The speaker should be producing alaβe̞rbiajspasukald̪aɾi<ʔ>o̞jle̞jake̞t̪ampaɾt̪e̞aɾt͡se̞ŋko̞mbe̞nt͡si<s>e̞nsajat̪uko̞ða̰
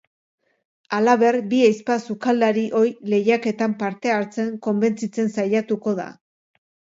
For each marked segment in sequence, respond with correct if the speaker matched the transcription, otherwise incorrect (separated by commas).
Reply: correct, incorrect